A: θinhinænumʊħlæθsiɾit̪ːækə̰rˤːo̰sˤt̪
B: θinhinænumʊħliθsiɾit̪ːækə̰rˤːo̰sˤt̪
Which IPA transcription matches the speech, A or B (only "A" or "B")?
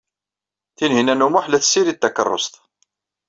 A